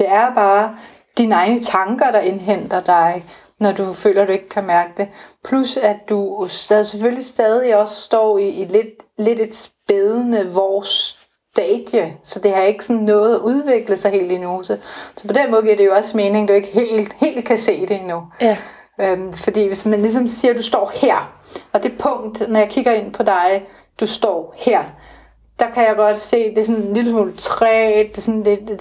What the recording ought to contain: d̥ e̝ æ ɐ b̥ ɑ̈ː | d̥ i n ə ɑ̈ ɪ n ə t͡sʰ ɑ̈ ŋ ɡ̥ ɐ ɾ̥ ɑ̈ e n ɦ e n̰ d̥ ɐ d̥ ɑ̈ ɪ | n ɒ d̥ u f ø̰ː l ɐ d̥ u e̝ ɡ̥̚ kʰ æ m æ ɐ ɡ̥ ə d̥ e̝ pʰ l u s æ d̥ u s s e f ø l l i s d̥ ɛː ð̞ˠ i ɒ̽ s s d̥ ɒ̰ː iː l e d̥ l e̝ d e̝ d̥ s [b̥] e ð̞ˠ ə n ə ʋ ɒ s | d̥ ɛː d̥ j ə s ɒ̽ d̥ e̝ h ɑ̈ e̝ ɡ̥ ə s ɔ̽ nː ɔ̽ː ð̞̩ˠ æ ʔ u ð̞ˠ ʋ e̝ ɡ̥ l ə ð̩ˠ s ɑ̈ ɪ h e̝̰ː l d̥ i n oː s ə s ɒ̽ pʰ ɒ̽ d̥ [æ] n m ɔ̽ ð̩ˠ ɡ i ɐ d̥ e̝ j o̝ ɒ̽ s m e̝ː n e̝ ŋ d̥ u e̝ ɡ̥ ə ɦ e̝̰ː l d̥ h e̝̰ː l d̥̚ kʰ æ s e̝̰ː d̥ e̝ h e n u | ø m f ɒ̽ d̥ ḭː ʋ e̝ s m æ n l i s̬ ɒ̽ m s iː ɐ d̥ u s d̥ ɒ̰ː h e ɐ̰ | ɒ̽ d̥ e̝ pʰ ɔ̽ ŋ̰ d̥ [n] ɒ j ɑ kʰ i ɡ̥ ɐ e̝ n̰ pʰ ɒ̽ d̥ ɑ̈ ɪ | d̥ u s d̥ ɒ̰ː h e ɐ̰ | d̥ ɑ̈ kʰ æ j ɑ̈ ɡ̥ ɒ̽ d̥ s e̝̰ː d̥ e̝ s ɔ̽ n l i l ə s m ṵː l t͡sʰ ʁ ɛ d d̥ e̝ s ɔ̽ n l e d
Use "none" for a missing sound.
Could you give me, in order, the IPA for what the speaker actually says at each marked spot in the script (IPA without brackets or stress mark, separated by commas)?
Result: b̥, e, n